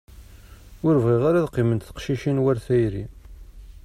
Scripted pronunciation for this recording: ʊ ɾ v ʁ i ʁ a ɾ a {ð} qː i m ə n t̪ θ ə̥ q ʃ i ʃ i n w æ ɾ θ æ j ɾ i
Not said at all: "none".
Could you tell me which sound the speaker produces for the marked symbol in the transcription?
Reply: ð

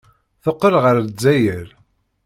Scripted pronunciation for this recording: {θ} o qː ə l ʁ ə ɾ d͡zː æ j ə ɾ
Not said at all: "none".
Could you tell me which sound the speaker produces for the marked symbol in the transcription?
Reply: θ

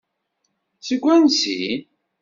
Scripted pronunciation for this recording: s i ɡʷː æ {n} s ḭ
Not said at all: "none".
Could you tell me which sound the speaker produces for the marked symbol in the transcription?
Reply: n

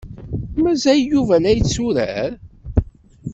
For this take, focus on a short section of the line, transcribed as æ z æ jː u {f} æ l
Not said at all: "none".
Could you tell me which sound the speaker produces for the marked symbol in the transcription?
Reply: v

